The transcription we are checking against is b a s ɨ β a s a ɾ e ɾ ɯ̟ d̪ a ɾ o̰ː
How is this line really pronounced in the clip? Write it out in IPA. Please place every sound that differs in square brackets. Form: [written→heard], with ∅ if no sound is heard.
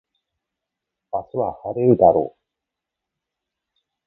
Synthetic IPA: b a s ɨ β a [s→h] a ɾ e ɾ ɯ̟ d̪ a ɾ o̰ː